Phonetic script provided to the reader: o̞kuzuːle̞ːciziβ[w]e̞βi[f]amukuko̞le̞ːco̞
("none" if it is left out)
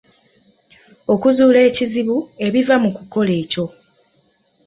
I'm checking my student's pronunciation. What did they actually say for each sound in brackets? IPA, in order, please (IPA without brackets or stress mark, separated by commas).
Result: u, v